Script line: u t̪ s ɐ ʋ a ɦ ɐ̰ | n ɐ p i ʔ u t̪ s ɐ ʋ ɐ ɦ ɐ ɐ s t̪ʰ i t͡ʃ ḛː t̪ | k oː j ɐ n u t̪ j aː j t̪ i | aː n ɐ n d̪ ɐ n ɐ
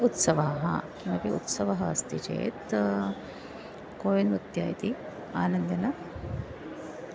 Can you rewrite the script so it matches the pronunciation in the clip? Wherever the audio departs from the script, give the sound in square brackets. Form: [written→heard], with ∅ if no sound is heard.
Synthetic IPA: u t̪ s ɐ ʋ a ɦ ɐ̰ | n ɐ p i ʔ u t̪ s ɐ ʋ ɐ ɦ ɐ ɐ s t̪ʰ i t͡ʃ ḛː t̪ | k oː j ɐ n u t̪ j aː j t̪ i | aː n ɐ n d̪ ɐ n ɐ